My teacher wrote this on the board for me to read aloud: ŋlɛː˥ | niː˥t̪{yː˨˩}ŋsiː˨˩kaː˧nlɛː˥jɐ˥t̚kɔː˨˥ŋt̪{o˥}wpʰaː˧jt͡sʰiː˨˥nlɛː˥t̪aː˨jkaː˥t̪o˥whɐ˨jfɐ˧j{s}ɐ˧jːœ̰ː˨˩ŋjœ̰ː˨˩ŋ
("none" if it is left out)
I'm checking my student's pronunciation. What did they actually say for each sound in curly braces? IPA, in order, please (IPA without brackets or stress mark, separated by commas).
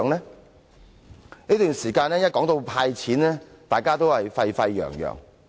yː˨˩, o˧, f